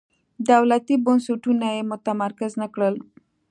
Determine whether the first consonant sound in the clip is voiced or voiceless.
voiced